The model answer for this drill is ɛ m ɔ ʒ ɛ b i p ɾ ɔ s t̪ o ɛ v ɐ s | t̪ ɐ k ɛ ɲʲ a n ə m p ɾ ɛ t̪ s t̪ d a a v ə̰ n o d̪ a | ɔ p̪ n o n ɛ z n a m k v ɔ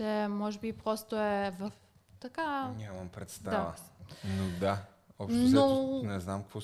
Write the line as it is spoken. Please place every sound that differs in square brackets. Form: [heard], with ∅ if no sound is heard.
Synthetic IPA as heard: ɛ m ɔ ʒ ɛ b i p ɾ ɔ s t̪ o ɛ v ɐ [f] | t̪ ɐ k [a] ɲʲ a [m] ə m p ɾ ɛ t̪ s t̪ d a a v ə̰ n o d̪ a | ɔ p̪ n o n ɛ z n a m k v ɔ